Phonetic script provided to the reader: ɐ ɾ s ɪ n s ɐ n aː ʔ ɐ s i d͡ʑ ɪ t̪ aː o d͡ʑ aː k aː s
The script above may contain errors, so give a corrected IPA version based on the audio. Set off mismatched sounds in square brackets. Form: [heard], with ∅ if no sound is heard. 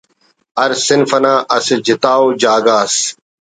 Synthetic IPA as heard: ɐ ɾ s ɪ n [f] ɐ n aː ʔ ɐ s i d͡ʑ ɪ t̪ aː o d͡ʑ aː [ɡ] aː s